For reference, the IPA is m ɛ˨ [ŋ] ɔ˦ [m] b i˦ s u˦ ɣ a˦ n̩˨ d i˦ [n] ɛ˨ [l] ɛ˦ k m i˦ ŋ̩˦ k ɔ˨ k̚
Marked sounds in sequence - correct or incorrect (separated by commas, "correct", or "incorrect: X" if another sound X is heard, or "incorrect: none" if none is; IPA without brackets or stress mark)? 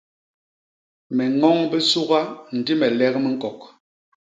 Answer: correct, incorrect: ŋ, incorrect: m, correct